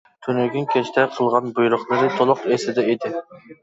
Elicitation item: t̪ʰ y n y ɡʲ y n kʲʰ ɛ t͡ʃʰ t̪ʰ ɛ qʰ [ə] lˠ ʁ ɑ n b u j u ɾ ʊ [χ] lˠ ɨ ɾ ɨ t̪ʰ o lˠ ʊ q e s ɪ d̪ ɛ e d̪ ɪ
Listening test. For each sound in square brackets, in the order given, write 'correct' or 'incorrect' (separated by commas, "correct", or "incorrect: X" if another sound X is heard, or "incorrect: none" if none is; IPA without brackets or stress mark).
correct, correct